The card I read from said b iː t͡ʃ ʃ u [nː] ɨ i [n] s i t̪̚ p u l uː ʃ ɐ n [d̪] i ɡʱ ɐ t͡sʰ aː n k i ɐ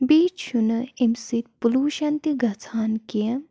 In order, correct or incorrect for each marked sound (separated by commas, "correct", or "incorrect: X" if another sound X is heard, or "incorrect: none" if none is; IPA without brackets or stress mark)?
incorrect: n, incorrect: m, incorrect: t̪